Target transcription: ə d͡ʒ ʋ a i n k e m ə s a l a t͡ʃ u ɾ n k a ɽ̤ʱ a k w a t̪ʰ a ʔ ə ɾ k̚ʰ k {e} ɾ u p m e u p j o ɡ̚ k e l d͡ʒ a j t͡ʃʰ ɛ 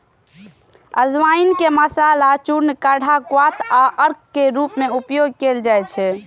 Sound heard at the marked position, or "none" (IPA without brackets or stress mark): e